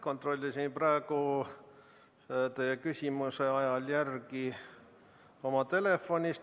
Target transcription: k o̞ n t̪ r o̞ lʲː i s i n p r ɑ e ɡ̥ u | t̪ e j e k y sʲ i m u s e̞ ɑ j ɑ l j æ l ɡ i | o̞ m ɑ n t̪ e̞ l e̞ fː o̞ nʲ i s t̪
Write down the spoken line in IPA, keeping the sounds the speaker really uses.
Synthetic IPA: k o̞ n t̪ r o̞ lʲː i s i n p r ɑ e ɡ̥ u | t̪ e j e k y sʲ i m u s e̞ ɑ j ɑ l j æ r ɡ i | o̞ m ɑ t̪ e̞ l e̞ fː o̞ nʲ i s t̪